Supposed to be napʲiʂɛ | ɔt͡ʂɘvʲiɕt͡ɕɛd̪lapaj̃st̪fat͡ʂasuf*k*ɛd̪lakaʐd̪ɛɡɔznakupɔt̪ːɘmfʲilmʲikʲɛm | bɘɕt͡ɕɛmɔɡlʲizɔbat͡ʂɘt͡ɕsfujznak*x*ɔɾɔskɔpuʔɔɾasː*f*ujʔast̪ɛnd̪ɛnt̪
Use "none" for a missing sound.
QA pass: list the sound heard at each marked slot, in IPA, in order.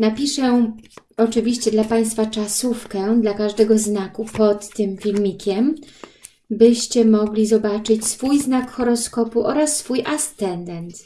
k, x, f

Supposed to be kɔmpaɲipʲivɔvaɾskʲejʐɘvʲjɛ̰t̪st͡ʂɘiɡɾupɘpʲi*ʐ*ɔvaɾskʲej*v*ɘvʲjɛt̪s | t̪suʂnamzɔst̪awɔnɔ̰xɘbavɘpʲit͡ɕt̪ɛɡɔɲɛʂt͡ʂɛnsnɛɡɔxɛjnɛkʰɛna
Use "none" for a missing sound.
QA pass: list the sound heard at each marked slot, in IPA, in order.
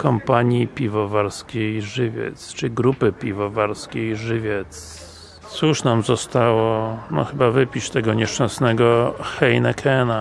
v, ʐ

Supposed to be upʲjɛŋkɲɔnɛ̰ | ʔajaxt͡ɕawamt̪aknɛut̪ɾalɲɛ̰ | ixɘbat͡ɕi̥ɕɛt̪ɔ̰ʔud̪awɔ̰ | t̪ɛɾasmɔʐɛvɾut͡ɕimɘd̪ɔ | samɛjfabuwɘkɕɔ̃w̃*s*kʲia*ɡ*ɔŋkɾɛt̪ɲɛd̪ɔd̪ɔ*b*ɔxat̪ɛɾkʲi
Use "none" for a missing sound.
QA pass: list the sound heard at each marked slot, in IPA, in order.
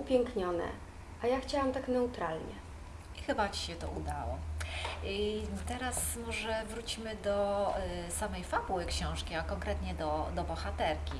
ʂ, k, b

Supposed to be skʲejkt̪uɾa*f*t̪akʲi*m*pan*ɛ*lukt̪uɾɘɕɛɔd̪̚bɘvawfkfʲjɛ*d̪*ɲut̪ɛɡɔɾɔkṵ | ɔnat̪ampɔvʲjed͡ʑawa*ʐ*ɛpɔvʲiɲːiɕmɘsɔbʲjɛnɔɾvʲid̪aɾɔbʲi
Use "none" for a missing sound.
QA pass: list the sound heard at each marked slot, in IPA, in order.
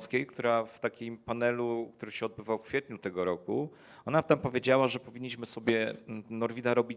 f, m, ɛ, t̪, ʐ

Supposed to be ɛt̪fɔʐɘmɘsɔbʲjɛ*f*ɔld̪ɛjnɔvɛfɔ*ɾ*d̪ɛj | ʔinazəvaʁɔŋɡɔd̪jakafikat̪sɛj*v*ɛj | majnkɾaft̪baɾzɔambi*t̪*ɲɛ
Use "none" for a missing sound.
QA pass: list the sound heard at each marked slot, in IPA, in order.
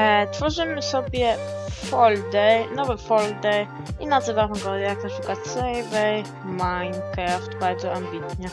f, l, v, t̪

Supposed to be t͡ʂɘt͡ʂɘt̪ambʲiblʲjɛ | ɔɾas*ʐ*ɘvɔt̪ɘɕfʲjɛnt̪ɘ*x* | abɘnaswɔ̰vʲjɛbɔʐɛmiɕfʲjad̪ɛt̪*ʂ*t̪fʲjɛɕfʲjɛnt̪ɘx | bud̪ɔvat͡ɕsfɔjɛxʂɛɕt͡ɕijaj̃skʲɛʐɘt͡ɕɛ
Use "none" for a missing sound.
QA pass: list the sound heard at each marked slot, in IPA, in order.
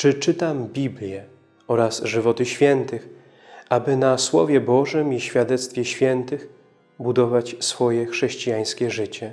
ʐ, x, s

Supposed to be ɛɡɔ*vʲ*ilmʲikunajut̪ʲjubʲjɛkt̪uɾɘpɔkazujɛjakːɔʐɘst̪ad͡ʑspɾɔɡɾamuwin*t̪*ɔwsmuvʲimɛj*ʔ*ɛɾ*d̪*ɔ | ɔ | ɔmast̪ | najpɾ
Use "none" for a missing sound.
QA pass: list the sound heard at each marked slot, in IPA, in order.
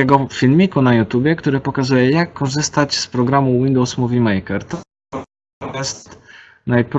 fʲ, d̪, k, t̪

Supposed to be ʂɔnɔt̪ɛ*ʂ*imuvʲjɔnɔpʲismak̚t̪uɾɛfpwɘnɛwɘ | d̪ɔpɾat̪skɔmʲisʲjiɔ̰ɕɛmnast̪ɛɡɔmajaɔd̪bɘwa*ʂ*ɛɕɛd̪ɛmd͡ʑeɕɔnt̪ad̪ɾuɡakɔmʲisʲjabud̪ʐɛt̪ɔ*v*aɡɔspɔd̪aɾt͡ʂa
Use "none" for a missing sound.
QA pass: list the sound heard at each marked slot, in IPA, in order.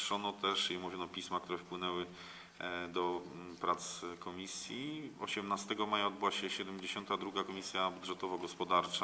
ʂ, ɕ, v

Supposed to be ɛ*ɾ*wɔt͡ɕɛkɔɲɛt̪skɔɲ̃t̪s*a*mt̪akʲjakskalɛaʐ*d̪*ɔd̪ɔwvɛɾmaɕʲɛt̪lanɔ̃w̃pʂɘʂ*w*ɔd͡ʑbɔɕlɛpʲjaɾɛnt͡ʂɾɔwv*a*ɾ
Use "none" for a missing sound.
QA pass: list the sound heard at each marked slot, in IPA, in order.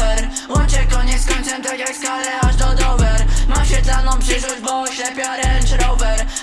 ɾ, ɛ, d̪, w, ɛ

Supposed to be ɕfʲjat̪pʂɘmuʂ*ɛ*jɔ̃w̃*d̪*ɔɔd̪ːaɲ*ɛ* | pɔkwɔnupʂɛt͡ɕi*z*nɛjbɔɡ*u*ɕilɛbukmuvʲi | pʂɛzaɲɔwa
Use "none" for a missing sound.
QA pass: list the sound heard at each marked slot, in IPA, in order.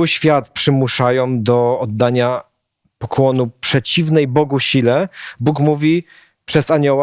a, d̪, a, v, u

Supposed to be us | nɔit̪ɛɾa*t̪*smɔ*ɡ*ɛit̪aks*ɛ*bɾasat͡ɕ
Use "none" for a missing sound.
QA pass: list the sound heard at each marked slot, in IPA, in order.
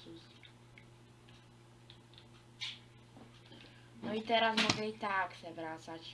none, ɡ, ɛ

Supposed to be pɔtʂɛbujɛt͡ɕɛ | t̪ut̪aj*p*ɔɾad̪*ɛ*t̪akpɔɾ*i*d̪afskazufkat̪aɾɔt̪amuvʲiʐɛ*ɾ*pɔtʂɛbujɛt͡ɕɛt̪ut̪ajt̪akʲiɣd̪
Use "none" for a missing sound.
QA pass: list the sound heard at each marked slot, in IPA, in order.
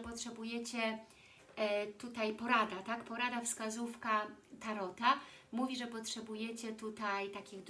p, a, a, none

